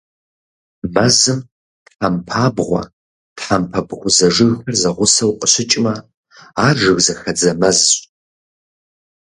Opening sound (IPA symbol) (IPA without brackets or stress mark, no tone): m